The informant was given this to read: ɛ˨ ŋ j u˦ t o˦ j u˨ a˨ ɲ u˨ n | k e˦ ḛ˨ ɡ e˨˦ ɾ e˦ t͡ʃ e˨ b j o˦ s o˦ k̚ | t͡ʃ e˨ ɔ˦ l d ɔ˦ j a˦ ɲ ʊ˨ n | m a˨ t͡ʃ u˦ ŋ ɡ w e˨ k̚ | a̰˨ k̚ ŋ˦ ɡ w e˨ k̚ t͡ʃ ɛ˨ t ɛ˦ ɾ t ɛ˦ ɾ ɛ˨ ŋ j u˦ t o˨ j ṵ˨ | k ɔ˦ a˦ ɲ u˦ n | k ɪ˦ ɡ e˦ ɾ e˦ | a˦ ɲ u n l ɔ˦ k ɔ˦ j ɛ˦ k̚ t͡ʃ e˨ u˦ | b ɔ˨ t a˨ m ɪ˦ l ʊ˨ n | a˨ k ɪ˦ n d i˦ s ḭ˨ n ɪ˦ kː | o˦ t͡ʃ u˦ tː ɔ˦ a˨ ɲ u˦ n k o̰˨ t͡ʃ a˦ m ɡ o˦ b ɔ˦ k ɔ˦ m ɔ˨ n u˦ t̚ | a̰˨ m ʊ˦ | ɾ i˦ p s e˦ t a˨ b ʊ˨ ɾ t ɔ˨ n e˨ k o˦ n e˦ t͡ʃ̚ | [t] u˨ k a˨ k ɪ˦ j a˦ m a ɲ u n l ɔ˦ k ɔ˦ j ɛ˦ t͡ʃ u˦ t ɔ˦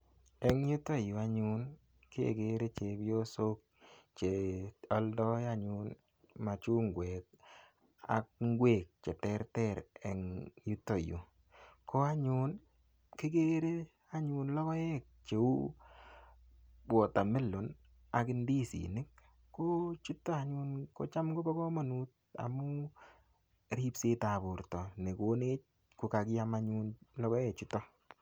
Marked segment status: incorrect: k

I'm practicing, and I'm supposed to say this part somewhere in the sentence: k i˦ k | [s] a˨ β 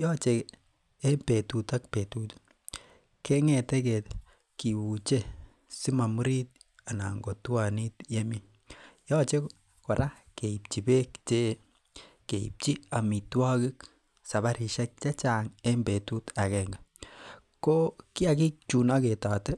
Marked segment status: correct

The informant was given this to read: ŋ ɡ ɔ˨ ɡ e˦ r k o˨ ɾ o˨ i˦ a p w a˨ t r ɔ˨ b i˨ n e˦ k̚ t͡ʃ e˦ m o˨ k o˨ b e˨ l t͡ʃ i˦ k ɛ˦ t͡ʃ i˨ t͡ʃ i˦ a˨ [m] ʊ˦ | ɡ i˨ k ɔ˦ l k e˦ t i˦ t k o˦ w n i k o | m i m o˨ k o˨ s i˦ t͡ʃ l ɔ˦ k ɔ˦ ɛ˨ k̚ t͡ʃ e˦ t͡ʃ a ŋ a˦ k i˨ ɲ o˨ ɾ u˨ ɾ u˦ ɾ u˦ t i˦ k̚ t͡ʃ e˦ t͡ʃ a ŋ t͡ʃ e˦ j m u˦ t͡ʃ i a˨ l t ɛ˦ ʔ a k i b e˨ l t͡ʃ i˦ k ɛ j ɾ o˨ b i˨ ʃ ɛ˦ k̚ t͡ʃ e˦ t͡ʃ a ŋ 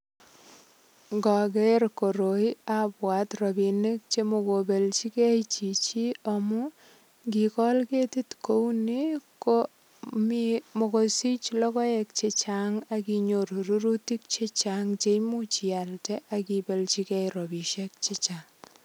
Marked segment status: correct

